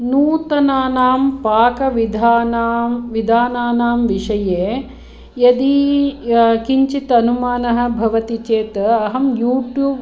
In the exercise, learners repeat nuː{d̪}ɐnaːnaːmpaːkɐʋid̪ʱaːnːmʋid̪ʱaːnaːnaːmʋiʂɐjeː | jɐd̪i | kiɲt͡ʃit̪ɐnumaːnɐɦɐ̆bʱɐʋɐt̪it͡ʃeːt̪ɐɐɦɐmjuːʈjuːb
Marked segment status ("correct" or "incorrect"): incorrect